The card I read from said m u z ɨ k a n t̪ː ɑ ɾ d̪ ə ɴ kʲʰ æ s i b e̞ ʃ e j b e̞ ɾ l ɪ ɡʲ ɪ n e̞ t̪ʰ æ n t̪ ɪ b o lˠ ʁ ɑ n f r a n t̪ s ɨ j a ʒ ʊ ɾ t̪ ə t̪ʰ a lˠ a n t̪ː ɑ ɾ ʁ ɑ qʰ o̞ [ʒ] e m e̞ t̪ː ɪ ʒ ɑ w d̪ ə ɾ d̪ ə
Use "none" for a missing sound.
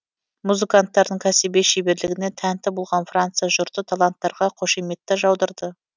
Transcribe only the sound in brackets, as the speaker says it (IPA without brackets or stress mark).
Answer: ʃ